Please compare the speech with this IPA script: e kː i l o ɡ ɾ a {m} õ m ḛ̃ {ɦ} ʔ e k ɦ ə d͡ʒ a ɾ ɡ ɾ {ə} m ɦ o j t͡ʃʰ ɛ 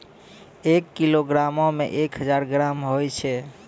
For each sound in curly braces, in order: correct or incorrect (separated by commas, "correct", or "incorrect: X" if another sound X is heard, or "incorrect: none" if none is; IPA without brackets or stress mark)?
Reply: correct, incorrect: none, incorrect: a